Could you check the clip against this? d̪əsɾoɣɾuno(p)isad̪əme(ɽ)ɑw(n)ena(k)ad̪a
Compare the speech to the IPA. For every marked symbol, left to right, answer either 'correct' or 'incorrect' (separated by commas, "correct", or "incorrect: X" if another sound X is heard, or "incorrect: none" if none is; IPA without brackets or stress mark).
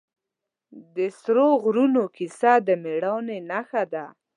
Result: incorrect: k, correct, correct, incorrect: x